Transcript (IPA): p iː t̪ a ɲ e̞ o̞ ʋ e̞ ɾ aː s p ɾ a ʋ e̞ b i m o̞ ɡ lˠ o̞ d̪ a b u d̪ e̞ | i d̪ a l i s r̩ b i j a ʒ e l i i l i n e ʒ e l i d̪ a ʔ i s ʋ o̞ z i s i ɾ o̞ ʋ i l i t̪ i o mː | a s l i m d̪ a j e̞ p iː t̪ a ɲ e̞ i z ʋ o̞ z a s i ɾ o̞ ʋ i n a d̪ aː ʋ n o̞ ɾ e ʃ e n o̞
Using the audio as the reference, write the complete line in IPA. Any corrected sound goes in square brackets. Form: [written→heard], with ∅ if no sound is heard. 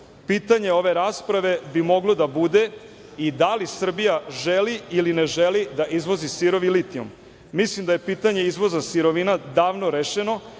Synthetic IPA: p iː t̪ a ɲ e̞ o̞ ʋ e̞ ɾ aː s p ɾ a ʋ e̞ b i m o̞ ɡ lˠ o̞ d̪ a b u d̪ e̞ | i d̪ a l i s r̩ b i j a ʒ e l i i l i n e ʒ e l i d̪ a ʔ i [s→z] ʋ o̞ z i s i ɾ o̞ ʋ i l i t̪ i o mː | [a→i] s l i m d̪ a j e̞ p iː t̪ a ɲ e̞ i z ʋ o̞ z a s i ɾ o̞ ʋ i n a d̪ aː ʋ n o̞ ɾ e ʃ e n o̞